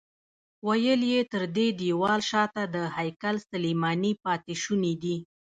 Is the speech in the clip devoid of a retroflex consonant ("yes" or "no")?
yes